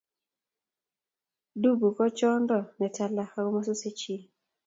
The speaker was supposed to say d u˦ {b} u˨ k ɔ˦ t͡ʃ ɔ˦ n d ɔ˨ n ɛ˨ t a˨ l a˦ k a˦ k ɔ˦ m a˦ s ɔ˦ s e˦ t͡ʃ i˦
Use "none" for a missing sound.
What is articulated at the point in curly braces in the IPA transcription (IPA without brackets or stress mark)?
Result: b